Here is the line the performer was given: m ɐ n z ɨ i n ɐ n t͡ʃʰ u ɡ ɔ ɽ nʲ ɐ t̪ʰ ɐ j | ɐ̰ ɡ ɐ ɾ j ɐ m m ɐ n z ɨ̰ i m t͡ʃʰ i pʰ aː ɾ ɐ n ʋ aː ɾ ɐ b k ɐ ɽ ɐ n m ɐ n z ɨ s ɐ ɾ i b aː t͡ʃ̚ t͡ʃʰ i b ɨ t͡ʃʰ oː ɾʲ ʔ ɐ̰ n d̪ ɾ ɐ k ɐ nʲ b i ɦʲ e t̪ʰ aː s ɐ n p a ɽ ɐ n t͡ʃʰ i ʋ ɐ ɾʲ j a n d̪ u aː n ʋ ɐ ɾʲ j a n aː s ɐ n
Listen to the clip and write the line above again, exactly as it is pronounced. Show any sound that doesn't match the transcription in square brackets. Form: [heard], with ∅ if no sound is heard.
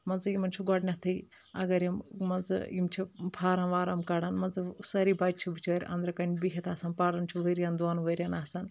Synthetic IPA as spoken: m ɐ n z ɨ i [m] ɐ n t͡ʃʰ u ɡ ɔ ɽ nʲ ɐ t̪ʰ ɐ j | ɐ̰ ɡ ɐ ɾ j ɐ m m ɐ n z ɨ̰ i m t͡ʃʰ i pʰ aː ɾ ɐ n ʋ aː ɾ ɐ [m] k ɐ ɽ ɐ n m ɐ n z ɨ s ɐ ɾ i b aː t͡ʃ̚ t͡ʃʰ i b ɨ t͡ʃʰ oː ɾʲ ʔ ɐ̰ n d̪ ɾ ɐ k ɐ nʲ b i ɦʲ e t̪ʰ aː s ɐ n p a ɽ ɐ n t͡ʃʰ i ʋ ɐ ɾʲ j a n d̪ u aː n ʋ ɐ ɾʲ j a n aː s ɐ n